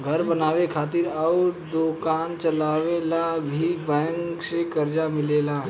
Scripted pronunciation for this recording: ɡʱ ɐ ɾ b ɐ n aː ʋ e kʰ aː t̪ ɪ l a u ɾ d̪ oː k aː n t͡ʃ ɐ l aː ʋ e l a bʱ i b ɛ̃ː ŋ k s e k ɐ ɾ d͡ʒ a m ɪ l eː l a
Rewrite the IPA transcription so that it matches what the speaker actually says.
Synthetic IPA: ɡʱ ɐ ɾ b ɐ n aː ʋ e kʰ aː t̪ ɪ ɾ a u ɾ d̪ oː k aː n t͡ʃ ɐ l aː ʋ e l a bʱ i b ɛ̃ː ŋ k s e k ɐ ɾ d͡ʒ a m ɪ l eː l a